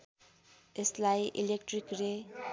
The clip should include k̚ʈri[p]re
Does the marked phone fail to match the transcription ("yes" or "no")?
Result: yes